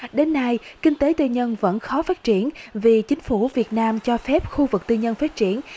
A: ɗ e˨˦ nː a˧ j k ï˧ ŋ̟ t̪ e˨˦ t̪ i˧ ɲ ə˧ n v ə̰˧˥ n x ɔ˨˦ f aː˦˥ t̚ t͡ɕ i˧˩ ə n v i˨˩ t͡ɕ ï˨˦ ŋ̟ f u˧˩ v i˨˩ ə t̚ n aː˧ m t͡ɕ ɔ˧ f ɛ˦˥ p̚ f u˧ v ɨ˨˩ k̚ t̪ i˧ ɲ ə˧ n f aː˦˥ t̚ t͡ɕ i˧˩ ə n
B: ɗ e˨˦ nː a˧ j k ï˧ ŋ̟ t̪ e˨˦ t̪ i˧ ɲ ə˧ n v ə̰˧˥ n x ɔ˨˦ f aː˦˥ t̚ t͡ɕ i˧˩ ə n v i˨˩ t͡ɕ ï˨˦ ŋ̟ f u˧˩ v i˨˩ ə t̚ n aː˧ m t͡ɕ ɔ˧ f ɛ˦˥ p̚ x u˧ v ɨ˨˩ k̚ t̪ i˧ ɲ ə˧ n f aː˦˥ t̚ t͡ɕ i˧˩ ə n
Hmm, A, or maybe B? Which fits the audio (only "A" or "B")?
B